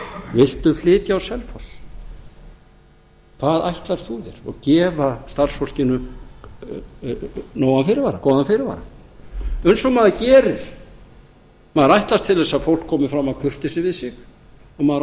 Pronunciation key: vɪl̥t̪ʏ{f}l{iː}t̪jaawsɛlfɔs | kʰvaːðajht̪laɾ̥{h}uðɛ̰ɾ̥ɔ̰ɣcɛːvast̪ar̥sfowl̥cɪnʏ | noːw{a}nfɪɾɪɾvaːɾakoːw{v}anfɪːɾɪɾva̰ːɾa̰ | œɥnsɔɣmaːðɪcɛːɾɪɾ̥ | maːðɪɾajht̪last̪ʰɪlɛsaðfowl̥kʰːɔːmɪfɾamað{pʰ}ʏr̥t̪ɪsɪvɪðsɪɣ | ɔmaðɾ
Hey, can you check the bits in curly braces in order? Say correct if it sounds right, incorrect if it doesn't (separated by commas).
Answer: correct, incorrect, incorrect, correct, incorrect, incorrect